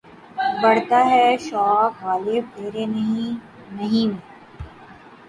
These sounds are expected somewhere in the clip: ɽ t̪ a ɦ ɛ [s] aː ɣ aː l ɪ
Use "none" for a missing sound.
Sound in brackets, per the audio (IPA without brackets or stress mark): ʃ